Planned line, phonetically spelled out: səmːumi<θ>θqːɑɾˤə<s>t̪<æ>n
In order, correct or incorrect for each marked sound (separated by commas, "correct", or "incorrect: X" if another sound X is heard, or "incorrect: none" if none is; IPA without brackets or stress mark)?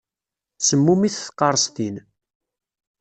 correct, correct, incorrect: i